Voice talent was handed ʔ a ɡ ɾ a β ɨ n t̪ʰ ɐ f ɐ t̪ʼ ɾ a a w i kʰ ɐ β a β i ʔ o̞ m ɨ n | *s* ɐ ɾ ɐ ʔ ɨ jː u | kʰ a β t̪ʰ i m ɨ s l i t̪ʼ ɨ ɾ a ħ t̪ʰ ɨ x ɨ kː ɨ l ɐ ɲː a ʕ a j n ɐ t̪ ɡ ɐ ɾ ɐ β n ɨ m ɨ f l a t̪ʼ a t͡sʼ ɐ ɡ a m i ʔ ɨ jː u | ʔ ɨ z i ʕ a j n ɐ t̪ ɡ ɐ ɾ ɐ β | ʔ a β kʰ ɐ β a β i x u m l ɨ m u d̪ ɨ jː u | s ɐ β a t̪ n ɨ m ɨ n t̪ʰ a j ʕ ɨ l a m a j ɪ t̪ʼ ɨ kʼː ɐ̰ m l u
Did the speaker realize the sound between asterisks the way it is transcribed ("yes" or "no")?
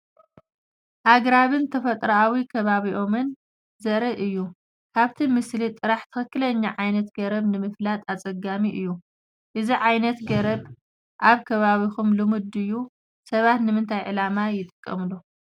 no